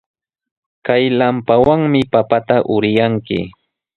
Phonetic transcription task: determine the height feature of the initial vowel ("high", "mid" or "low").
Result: low